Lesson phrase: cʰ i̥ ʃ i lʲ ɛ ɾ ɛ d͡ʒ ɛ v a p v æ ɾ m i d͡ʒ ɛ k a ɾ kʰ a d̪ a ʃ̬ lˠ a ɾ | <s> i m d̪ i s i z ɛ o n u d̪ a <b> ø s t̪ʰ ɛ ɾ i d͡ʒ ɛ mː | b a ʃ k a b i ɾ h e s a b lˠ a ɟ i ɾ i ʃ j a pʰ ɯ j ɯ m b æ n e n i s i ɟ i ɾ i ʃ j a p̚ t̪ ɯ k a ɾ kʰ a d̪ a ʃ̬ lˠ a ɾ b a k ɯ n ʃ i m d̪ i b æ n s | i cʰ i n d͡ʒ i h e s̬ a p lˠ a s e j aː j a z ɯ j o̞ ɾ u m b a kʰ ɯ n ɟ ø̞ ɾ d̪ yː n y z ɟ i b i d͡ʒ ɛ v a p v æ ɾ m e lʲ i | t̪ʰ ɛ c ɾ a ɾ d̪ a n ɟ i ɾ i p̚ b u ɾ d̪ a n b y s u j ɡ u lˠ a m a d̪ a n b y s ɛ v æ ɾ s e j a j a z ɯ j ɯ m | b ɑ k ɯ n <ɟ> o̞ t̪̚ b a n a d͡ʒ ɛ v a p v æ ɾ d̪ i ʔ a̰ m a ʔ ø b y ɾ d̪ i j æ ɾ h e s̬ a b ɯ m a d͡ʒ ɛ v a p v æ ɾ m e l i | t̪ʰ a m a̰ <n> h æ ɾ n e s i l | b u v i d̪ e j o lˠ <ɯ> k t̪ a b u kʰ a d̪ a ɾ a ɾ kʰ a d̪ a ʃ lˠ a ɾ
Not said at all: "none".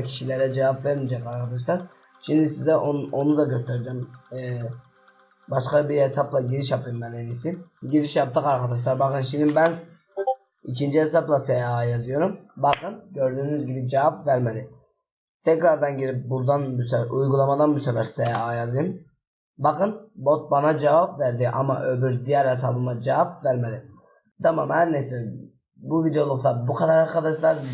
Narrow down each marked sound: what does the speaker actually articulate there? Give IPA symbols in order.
ʃ, ɟ, b, m, u

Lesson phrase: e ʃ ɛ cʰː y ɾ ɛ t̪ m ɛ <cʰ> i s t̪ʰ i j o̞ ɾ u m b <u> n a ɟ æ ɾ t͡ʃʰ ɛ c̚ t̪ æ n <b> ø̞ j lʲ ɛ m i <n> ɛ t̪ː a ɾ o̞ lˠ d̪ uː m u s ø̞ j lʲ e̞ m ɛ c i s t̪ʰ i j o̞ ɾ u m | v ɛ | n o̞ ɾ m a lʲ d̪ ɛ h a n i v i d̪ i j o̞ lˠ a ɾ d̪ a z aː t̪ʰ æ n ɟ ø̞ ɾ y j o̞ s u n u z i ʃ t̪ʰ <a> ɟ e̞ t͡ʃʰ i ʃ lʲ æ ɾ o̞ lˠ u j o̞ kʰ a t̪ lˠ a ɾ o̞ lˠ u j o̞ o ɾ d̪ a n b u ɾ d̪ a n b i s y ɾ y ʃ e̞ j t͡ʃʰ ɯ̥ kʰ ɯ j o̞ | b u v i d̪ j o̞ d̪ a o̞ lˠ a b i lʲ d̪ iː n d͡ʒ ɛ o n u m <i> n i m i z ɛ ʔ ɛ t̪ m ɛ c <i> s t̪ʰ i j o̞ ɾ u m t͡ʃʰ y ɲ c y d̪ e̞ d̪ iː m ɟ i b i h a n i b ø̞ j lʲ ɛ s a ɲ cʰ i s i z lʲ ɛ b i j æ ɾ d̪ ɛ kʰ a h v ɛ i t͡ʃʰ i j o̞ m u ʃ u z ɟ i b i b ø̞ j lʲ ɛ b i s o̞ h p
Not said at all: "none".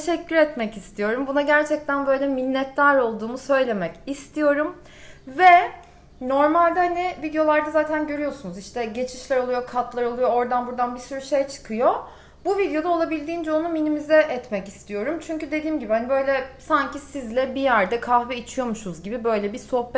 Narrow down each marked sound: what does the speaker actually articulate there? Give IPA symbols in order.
c, u, b, nː, ɛ, i, i

